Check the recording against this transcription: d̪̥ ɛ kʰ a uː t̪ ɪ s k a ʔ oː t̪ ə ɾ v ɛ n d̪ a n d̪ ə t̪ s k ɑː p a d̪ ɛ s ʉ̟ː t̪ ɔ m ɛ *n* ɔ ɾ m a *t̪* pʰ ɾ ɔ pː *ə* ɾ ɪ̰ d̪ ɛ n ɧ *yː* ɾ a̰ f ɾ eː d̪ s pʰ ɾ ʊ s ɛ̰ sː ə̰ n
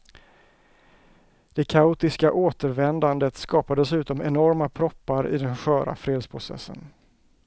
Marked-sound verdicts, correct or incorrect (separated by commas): correct, incorrect, incorrect, incorrect